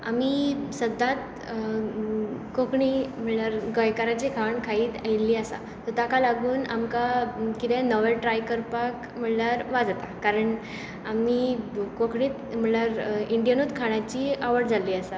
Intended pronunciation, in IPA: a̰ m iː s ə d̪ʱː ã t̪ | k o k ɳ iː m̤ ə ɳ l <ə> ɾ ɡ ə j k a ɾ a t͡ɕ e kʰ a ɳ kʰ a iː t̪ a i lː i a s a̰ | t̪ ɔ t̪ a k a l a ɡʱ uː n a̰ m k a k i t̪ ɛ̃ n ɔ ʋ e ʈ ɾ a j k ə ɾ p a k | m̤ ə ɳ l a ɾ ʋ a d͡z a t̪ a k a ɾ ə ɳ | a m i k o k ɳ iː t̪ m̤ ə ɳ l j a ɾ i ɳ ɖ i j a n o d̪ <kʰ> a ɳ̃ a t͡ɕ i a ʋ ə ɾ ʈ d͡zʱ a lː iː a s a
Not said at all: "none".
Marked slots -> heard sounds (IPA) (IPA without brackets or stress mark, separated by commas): a, kʰ